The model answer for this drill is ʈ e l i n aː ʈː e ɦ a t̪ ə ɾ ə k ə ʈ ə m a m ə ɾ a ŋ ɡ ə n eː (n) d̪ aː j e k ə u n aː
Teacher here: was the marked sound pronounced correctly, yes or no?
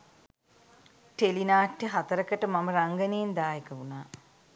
yes